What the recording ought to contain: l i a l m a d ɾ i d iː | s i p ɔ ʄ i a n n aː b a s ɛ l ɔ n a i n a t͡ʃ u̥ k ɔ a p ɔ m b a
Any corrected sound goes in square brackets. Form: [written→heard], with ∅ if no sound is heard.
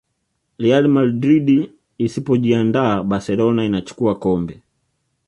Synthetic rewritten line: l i a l m a d ɾ i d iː | s i p ɔ ʄ i a n [n→d] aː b a s ɛ l ɔ n a i n a t͡ʃ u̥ k [ɔ→u] a [p→k] ɔ m b [a→ɛ]